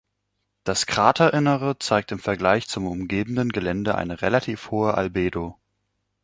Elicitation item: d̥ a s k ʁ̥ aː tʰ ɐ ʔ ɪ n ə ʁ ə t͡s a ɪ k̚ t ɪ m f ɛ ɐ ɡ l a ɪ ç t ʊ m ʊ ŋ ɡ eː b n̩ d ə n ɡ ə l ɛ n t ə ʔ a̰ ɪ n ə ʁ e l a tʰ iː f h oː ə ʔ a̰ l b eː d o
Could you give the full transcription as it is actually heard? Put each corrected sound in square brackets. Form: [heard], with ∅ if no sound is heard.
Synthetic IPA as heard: d̥ a s k ʁ̥ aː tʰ ɐ ʔ ɪ n ə ʁ ə t͡s a ɪ k̚ t ɪ m f ɛ ɐ ɡ l a ɪ ç [t͡s] ʊ m ʊ [m] ɡ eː b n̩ d ə n ɡ ə l ɛ n [d] ə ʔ a̰ ɪ n ə ʁ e l a tʰ iː f h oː ə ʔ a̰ l b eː d o